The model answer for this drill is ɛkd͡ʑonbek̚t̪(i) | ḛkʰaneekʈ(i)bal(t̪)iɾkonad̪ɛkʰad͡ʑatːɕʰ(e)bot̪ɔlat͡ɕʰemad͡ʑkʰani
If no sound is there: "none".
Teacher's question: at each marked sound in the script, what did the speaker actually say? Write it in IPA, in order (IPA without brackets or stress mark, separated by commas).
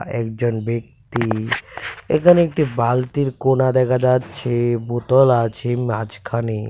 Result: i, i, t̪, e